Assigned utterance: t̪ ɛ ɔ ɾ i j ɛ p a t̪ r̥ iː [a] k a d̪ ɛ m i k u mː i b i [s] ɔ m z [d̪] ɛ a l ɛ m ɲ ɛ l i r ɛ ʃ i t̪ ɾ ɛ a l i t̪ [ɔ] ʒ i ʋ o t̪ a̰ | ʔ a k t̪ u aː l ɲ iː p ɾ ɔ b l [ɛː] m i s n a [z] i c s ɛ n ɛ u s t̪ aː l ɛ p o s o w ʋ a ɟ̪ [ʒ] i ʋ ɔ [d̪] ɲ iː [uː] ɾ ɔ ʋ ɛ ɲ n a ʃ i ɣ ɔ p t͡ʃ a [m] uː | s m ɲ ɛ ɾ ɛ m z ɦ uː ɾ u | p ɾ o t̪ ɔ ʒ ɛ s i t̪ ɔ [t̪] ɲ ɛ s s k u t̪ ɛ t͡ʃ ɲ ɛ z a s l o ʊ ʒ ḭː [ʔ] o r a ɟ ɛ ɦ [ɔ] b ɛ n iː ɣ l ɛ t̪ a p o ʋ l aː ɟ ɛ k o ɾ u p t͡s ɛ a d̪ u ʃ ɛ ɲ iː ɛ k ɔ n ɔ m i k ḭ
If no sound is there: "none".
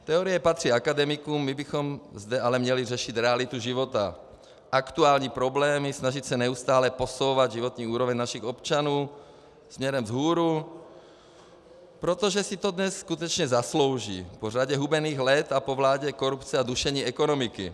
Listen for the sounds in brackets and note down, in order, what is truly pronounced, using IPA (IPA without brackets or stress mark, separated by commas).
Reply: a, x, d̪, u, ɛː, ʒ, ʒ, t̪, uː, n, d̪, p, u